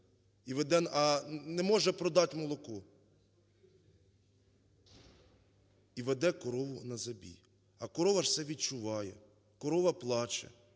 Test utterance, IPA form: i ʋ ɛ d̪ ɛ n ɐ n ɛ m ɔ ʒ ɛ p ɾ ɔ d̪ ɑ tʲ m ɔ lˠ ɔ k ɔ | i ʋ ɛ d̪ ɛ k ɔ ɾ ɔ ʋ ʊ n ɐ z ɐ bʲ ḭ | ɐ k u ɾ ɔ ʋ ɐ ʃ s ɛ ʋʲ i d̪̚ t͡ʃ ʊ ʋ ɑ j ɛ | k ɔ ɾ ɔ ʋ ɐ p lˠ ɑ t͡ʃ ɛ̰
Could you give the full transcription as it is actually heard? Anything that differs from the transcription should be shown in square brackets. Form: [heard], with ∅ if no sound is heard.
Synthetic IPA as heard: i ʋ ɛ d̪ ɛ n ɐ n ɛ m ɔ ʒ ɛ p ɾ ɔ d̪ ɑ tʲ m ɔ lˠ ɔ k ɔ | i ʋ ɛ d̪ ɛ k ɔ ɾ ɔ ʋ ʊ n ɐ z ɐ bʲ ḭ | ɐ k [ɔ] ɾ ɔ ʋ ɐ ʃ s ɛ ʋʲ i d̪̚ t͡ʃ ʊ ʋ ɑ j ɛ | k ɔ ɾ ɔ ʋ ɐ p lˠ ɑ t͡ʃ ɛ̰